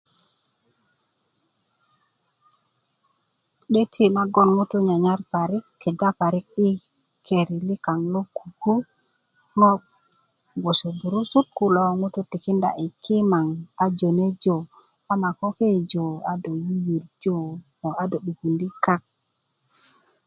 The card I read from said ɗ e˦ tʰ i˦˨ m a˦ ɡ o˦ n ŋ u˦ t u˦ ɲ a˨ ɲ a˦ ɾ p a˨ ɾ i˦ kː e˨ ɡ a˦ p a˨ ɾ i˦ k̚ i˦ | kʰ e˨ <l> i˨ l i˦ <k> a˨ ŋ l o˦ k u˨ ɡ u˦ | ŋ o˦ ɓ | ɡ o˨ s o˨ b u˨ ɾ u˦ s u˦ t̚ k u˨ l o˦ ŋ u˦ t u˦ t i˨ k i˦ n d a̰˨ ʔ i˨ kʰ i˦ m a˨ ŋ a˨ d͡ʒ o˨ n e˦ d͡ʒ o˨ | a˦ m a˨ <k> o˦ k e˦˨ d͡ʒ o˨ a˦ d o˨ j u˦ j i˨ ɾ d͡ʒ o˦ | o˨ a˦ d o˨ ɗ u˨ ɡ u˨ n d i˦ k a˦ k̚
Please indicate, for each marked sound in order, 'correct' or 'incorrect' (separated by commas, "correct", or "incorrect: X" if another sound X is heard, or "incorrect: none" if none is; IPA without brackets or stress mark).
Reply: incorrect: ɾ, correct, correct